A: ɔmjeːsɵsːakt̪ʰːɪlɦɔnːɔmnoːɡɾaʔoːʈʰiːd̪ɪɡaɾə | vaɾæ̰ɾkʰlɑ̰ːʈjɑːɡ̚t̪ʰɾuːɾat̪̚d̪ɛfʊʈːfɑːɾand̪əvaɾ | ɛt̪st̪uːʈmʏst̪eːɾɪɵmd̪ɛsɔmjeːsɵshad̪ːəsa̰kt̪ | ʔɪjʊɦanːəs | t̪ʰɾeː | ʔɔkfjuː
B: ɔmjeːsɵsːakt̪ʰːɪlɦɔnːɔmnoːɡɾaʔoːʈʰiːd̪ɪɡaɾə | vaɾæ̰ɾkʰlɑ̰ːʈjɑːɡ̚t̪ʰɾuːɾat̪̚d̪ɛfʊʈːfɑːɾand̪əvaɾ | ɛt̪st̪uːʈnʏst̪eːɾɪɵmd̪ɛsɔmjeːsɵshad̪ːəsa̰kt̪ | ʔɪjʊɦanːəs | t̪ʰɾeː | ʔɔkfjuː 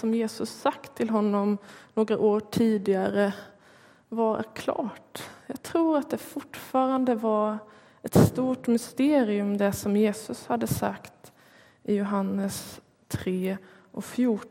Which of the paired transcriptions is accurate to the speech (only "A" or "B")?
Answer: A